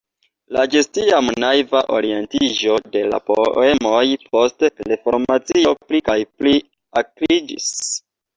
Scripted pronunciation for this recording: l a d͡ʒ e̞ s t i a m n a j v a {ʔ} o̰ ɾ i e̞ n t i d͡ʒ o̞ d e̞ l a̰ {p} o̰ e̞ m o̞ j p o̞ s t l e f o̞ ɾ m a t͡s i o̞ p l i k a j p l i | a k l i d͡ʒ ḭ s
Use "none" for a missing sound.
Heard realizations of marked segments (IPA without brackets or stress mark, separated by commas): ʔ, p